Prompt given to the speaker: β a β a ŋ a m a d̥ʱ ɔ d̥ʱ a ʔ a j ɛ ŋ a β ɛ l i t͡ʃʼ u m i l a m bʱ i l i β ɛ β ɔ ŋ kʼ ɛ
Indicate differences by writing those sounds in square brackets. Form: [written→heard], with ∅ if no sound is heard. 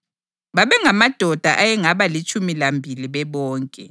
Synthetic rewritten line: β a β [a→ɛ] ŋ a m a d̥ʱ ɔ d̥ʱ a ʔ a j ɛ ŋ a β [ɛ→a] l i t͡ʃʼ u m i l a m bʱ i l i β ɛ β [ɔ→ɔː] ŋ kʼ ɛ